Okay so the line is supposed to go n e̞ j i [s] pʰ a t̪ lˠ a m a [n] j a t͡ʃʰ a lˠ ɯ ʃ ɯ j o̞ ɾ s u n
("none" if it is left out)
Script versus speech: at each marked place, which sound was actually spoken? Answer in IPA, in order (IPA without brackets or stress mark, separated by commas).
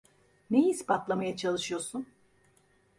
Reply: s, none